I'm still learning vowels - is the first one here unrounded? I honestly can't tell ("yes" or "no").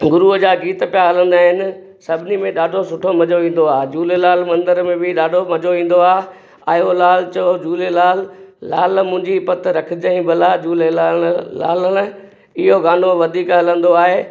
no